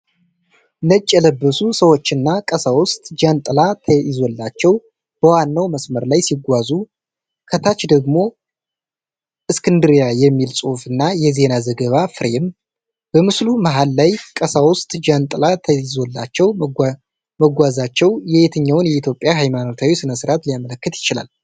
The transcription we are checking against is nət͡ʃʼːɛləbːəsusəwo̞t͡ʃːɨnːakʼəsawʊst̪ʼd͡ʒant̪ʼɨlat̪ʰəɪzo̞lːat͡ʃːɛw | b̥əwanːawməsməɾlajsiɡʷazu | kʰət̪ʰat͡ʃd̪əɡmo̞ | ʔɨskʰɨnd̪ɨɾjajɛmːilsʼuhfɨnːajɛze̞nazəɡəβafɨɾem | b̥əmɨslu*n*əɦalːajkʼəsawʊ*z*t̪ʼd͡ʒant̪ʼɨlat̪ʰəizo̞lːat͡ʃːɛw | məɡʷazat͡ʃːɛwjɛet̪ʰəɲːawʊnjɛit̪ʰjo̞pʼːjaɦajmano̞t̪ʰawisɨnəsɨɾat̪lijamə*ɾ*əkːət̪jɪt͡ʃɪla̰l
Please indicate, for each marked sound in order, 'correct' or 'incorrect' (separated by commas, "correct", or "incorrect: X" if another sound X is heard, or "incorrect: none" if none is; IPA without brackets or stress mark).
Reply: incorrect: m, incorrect: s, incorrect: l